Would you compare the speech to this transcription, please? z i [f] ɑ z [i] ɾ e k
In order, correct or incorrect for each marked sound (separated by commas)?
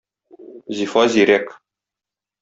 correct, correct